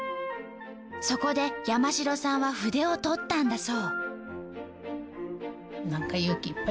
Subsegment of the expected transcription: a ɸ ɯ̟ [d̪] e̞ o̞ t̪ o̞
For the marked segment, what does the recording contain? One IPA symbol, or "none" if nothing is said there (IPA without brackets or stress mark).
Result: d̪